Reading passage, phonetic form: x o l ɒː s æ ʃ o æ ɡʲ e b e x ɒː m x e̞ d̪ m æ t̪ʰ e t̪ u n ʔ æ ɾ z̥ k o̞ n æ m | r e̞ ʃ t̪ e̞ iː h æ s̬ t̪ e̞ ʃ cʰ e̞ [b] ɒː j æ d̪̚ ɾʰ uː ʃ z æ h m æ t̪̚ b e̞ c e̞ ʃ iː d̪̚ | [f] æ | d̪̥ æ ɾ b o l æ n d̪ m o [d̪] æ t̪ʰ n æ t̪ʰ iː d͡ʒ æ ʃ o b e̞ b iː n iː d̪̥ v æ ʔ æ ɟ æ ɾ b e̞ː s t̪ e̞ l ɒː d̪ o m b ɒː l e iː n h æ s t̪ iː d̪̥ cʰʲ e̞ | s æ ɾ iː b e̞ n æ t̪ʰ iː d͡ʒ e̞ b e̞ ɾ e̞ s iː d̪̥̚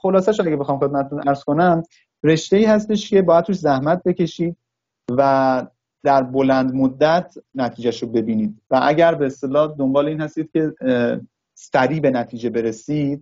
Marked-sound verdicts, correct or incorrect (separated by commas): correct, incorrect, incorrect